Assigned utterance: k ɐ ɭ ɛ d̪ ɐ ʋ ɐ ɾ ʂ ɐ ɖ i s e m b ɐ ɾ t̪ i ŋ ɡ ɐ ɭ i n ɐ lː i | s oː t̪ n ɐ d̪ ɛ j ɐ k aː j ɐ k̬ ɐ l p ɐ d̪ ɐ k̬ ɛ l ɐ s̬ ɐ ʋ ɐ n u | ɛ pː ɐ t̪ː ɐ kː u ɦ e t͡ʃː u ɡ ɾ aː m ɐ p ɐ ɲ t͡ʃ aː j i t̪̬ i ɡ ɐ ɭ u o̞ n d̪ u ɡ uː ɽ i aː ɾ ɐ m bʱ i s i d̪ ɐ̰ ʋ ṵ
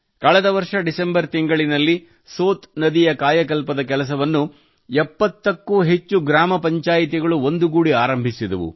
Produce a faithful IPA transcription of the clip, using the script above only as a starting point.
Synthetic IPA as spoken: k ɐ ɭ ɛ d̪ ɐ ʋ ɐ ɾ ʂ ɐ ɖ i s e m b ɐ ɾ t̪ i ŋ ɡ ɐ ɭ i n ɐ lː i | s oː t̪ n ɐ d̪ i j ɐ k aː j ɐ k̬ ɐ l p ɐ d̪ ɐ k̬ ɛ l ɐ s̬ ɐ ʋ ɐ nː u | ɛ pː ɐ t̪ː ɐ kː u ɦ e t͡ʃː u ɡ ɾ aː m ɐ p ɐ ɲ t͡ʃ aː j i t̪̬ i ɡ ɐ ɭ u o̞ n d̪ u ɡ uː ɽ i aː ɾ ɐ m bʱ i s i d̪ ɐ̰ ʋ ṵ